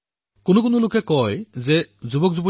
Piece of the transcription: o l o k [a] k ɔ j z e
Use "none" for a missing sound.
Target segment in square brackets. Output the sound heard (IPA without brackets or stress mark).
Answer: e